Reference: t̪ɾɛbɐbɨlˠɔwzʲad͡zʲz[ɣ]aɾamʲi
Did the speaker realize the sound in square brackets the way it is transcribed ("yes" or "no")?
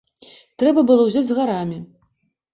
yes